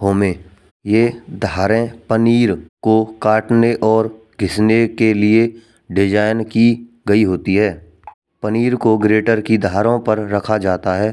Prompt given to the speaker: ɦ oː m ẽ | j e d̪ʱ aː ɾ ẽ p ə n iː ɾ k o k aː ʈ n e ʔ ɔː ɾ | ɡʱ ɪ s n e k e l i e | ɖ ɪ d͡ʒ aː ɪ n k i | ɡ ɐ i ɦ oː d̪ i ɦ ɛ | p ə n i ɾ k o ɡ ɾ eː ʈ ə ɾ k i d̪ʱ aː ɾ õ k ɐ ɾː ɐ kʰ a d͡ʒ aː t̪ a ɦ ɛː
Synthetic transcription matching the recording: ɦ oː m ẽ | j e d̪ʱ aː ɾ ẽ p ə n iː ɾ k o k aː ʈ n e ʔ ɔː ɾ | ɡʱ ɪ s n e k e l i e | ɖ ɪ d͡ʒ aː ɪ n k i | ɡ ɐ i ɦ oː t̪ i ɦ ɛː | p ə n iː ɾ k o ɡ ɾ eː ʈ ə ɾ k i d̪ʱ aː ɾ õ p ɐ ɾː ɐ kʰ a d͡ʒ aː t̪ a ɦ ɛː